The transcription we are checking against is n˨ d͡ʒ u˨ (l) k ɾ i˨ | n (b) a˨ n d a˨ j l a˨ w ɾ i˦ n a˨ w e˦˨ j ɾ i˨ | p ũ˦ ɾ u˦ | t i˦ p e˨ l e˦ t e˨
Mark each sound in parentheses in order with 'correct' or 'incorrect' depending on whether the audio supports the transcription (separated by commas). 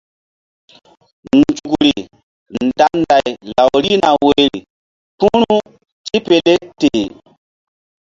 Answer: incorrect, incorrect